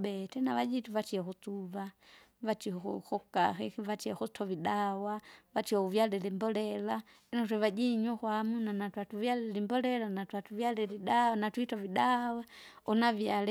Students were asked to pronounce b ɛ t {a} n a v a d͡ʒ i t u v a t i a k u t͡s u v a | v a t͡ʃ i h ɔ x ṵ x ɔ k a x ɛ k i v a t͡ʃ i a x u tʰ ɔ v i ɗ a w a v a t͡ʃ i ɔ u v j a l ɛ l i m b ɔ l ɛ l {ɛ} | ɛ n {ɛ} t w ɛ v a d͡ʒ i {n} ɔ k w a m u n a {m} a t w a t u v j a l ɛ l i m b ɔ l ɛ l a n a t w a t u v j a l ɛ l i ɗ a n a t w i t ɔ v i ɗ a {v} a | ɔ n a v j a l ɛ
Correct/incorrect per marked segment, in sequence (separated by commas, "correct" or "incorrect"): incorrect, incorrect, incorrect, incorrect, incorrect, incorrect